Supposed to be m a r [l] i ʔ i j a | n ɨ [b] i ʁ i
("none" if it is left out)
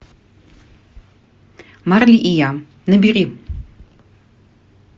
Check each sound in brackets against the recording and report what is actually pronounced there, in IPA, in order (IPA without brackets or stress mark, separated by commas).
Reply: l, b